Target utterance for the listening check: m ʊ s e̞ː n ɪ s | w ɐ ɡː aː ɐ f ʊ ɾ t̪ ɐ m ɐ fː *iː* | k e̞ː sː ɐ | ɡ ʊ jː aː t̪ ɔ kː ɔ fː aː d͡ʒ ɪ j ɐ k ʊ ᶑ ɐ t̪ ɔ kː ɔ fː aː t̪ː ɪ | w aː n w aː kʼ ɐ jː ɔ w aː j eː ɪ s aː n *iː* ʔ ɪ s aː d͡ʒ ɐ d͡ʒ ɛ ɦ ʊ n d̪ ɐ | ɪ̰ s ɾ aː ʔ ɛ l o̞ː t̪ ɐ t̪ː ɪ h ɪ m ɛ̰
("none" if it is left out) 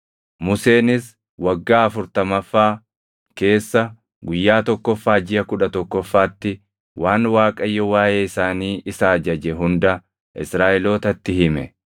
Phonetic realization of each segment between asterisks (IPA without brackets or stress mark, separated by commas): aː, iː